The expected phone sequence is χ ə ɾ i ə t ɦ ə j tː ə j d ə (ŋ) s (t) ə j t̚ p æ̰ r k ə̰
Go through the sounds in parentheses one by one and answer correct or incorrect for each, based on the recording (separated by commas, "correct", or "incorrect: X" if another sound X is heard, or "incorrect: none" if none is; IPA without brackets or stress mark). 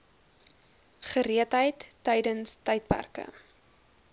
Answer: incorrect: n, correct